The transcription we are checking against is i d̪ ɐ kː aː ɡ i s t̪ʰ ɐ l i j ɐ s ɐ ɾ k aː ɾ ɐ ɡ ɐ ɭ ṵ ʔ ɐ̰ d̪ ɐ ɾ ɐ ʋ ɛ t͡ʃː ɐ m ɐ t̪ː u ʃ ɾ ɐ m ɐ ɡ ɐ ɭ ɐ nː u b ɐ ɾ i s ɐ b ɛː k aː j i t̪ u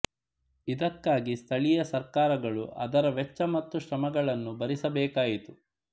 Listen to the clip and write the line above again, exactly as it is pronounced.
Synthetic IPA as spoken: i d̪ ɐ kː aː ɡ i s t̪ʰ ɐ ɭ i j ɐ s ɐ ɾ k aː ɾ ɐ ɡ ɐ ɭ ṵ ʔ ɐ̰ d̪ ɐ ɾ ɐ ʋ ɛ t͡ʃː ɐ m ɐ t̪ː u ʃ ɾ ɐ m ɐ ɡ ɐ ɭ ɐ nː u b ɐ ɾ i s ɐ b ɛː k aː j i t̪ u

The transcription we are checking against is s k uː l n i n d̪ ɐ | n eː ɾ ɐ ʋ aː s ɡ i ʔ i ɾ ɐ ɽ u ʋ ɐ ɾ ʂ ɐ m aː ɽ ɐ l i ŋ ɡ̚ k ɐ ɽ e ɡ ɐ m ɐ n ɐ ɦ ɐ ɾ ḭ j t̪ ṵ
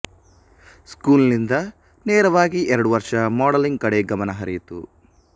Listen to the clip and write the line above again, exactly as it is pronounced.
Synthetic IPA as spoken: s k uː l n i n d̪ ɐ | n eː ɾ ɐ ʋ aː ɡ i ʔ ɛ ɾ ɐ ɽ u ʋ ɐ ɾ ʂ ɐ m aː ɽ ɐ l i ŋ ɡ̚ k ɐ ɽ e ɡ ɐ m ɐ n ɐ ɦ ɐ ɾ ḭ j t̪ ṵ

